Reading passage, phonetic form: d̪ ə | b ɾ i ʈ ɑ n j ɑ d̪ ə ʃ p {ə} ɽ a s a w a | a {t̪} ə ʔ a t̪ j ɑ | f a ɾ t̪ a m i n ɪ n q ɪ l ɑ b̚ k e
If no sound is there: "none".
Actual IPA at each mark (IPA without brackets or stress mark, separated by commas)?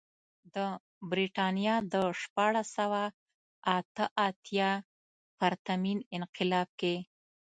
ɑ, t̪